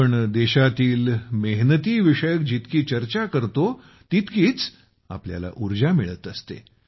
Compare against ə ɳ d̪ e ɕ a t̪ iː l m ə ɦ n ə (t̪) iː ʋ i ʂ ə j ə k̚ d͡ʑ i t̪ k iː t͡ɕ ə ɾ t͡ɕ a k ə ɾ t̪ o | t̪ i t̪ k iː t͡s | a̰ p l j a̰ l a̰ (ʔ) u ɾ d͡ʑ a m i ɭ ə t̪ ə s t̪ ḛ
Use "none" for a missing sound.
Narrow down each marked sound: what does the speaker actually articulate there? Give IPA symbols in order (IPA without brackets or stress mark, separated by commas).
t̪, ʔ